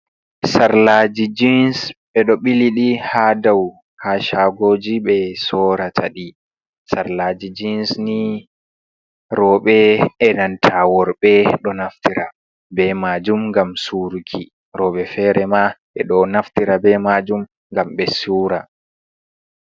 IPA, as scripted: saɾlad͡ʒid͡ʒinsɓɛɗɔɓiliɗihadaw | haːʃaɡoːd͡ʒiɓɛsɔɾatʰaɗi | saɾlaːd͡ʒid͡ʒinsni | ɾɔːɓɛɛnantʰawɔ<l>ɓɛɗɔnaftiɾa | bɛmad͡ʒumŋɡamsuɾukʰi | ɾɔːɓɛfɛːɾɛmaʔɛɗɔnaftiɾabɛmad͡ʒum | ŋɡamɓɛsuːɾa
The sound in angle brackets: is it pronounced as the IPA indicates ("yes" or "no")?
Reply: no